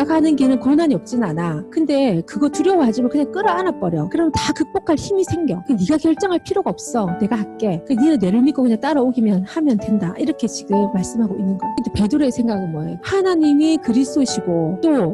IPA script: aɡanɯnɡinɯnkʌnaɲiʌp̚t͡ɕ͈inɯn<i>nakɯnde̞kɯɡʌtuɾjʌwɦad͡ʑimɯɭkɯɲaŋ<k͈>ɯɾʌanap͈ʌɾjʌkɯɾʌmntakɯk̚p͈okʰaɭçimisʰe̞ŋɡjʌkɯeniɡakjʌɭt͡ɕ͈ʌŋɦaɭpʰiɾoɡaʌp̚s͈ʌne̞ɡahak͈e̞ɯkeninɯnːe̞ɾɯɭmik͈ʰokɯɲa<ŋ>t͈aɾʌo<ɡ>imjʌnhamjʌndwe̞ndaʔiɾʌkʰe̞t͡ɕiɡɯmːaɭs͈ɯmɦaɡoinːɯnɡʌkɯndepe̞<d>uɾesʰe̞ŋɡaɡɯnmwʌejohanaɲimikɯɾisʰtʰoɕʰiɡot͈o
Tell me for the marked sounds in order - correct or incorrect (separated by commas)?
incorrect, correct, correct, correct, correct